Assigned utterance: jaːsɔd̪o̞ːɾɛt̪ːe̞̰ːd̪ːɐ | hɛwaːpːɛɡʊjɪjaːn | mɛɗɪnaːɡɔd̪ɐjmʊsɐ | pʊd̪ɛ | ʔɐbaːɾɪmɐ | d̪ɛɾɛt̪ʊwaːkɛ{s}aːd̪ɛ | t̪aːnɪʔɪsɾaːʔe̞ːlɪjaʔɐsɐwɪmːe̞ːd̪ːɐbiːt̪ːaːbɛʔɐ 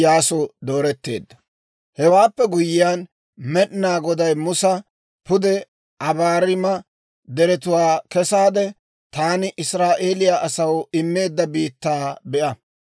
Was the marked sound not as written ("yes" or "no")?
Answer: no